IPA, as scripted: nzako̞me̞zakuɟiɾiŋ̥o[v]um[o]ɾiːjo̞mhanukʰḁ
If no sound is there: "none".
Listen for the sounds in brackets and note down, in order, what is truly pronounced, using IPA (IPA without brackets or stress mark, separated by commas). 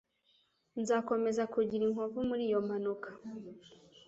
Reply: v, u